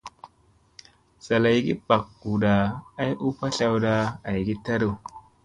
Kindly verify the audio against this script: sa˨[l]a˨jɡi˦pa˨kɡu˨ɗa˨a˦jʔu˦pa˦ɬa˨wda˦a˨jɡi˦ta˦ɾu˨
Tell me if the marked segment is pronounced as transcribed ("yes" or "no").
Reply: yes